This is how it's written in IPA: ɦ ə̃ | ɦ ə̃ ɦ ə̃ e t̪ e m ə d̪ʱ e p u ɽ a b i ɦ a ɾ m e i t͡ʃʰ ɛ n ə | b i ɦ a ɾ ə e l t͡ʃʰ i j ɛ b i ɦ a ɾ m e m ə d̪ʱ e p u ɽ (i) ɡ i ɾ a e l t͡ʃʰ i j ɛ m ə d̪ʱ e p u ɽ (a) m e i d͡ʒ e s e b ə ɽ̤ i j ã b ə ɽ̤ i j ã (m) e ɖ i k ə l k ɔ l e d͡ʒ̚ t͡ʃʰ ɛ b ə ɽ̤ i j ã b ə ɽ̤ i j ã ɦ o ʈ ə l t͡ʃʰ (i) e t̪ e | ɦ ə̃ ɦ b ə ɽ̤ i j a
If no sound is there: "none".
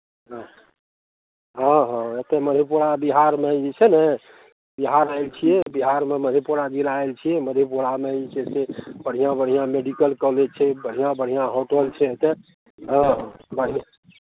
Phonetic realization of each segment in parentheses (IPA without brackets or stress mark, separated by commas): a, a, m, ɛ